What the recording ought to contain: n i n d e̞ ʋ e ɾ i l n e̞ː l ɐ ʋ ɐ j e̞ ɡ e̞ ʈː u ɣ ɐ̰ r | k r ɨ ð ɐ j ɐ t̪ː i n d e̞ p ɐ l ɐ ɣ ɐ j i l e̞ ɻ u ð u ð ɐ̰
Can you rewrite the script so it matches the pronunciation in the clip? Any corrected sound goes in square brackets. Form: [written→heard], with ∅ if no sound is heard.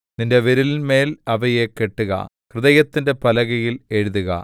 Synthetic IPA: n i n d e̞ ʋ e ɾ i l [n→m] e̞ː l ɐ ʋ ɐ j e̞ [ɡ→k] e̞ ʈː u ɣ ɐ̰ [r→∅] | k r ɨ ð ɐ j ɐ t̪ː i n d e̞ p ɐ l ɐ ɣ ɐ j i l e̞ ɻ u ð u [ð→ɣ] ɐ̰